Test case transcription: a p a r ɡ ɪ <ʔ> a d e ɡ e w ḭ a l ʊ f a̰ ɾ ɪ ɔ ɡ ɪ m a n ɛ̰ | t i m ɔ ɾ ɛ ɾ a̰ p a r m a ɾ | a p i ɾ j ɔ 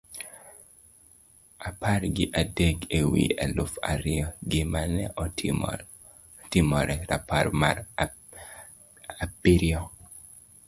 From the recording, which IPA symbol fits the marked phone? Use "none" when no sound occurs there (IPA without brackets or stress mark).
ʔ